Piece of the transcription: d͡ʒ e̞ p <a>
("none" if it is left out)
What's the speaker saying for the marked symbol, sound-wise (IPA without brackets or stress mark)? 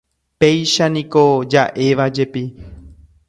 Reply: i